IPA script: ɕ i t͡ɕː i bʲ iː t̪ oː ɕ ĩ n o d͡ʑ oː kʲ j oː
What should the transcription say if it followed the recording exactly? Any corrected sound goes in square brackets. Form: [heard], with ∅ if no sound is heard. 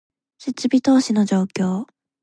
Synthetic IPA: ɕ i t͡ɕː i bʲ [i] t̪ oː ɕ [i] n o d͡ʑ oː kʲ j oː